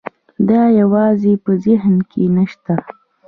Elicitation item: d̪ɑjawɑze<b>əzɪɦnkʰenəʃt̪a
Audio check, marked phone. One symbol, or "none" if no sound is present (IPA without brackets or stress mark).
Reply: p